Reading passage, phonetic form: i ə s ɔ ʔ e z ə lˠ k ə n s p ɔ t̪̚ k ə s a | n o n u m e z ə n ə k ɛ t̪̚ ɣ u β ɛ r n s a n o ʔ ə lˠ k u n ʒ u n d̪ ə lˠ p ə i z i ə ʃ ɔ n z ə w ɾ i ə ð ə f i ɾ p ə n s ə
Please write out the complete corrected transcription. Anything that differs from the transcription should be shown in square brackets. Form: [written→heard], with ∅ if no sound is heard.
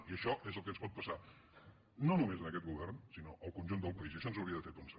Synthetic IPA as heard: i ə [s→ʃ] ɔ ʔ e z ə lˠ k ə n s p ɔ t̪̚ [k→p] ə s a | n o n u m e z ə n ə k ɛ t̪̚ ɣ u β ɛ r n s [a→i] n o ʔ ə lˠ k u n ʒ u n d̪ ə lˠ p ə i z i ə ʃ ɔ n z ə w ɾ i ə ð ə f [i→e] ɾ p ə n s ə